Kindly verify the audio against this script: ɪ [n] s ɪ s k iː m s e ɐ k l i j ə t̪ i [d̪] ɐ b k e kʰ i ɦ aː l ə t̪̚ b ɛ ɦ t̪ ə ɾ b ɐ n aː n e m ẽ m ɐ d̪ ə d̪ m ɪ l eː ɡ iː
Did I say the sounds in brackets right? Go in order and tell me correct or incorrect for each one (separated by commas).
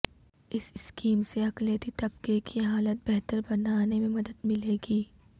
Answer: incorrect, incorrect